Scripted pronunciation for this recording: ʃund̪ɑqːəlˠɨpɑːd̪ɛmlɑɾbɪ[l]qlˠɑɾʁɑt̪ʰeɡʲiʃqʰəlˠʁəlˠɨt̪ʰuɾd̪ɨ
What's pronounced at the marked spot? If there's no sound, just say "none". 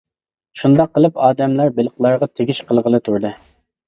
l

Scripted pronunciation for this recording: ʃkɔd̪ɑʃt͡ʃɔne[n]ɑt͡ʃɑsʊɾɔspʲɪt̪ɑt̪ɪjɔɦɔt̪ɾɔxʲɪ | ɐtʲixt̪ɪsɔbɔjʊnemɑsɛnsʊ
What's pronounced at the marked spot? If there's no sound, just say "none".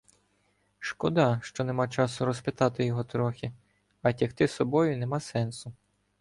m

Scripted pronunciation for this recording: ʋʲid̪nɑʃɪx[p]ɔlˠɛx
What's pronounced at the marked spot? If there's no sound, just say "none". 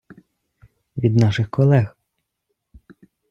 k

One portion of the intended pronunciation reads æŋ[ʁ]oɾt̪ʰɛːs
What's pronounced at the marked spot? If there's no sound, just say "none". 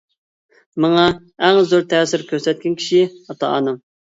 z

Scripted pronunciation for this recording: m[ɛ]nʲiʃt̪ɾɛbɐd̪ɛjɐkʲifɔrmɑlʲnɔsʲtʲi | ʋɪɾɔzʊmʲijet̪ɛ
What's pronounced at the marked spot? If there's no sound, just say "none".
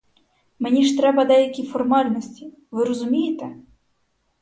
e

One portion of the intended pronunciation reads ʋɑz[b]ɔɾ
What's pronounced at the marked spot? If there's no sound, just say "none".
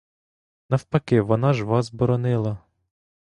b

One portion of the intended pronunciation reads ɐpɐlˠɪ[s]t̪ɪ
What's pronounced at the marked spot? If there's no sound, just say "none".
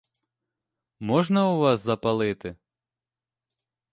none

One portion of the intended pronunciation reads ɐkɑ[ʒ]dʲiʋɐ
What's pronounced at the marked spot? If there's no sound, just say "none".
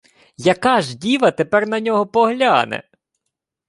ʒ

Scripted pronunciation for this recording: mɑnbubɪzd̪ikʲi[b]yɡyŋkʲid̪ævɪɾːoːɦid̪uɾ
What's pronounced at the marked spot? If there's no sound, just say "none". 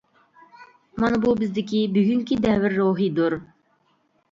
b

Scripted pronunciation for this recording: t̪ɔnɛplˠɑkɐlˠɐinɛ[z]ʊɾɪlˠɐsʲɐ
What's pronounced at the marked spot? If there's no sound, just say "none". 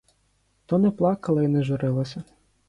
ʒ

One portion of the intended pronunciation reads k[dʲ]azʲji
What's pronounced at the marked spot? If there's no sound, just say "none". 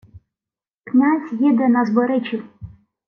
nʲ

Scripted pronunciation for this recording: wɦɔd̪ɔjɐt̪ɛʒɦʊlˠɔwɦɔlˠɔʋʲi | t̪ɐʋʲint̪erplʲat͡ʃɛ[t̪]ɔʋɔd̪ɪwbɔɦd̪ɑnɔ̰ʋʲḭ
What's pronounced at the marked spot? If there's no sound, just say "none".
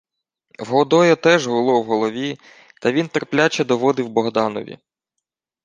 d̪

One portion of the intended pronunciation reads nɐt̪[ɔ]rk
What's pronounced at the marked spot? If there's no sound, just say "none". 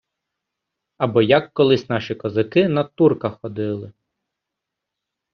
u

